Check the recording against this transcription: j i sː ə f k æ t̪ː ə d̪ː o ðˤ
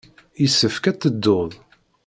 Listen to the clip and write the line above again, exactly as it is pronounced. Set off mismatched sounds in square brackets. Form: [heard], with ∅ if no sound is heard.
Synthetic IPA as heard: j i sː ə f k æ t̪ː ə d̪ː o ðˤ